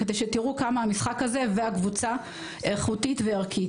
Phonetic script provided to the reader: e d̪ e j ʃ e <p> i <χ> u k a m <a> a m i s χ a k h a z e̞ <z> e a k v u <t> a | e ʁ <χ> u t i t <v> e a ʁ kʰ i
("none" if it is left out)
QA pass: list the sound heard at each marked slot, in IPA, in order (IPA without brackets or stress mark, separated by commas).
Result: t, ʁ, a, v, t͡s, χ, v